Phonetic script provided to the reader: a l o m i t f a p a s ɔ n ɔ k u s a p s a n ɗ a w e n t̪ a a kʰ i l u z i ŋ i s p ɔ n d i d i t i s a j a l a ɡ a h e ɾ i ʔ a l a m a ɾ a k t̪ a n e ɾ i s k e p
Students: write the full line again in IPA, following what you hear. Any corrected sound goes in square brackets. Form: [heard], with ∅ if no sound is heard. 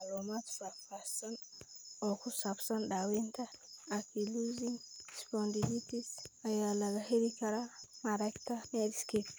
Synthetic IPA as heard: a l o m [a] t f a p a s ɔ n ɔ k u s a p s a n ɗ a w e n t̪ a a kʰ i l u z i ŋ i s p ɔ n d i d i t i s a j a l a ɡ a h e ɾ i [k] a [ɾ] a m a ɾ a k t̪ a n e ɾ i s k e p